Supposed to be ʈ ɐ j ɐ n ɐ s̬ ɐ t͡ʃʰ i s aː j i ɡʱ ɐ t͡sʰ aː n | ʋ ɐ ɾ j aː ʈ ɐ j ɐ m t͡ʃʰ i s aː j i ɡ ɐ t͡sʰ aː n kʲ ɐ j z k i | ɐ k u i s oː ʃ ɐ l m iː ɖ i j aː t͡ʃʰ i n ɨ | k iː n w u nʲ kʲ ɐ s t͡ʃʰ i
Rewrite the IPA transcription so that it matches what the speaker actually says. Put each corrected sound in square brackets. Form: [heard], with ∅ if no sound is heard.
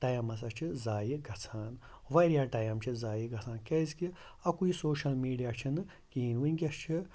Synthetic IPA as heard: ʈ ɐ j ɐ [m] ɐ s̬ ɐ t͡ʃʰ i [z] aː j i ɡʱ ɐ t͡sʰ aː n | ʋ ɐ ɾ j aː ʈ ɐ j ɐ m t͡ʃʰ i [z] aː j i ɡ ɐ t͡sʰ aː n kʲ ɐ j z k i | ɐ k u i s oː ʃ ɐ l m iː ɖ i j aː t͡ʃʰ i n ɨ | k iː n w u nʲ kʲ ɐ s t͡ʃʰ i